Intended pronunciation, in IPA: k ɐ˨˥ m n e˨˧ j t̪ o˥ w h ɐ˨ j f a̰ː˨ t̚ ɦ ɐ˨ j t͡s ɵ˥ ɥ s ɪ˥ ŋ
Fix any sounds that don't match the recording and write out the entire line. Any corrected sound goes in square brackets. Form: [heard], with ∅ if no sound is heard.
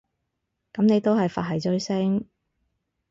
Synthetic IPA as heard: k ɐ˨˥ m n e˨˧ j t̪ o˥ w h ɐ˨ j f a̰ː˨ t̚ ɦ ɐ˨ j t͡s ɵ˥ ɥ s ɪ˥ ŋ